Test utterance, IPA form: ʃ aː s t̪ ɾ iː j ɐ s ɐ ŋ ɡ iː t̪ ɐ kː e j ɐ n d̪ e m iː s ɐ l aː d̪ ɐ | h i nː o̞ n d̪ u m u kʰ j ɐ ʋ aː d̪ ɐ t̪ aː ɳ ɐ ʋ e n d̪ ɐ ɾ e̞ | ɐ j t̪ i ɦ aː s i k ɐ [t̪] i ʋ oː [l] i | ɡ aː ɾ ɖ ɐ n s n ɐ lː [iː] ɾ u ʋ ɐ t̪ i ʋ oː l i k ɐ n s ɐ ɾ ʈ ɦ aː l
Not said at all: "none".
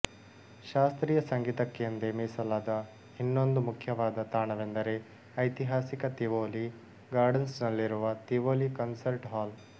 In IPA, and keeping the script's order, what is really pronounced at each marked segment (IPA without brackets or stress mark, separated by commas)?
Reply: t̪, l, i